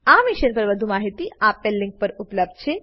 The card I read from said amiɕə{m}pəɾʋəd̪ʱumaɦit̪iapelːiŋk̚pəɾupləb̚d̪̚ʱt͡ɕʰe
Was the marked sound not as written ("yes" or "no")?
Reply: yes